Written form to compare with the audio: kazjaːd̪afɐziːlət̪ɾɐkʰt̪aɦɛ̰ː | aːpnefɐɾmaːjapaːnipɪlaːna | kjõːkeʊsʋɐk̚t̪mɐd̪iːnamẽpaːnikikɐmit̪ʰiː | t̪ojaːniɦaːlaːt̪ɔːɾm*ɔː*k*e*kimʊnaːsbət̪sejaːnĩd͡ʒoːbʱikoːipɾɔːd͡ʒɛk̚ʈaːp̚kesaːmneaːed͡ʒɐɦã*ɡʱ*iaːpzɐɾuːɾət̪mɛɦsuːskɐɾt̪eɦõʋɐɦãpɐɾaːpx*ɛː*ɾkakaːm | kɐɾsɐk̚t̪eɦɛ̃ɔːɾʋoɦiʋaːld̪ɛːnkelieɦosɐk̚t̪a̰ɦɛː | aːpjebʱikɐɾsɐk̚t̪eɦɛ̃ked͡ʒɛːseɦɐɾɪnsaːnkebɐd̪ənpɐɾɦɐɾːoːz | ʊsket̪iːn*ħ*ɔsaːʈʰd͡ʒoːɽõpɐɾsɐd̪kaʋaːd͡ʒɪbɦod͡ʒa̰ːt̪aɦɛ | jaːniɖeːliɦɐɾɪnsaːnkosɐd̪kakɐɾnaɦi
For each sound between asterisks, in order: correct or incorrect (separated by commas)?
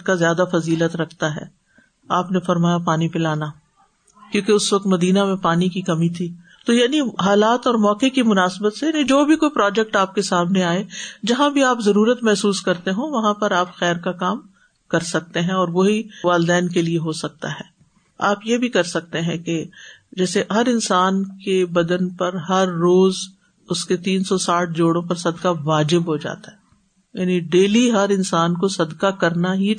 correct, correct, incorrect, correct, incorrect